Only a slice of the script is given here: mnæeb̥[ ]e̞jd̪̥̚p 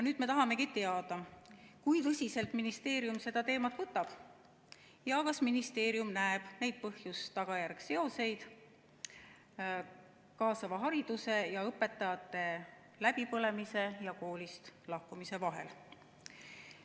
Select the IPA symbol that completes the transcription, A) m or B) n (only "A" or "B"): B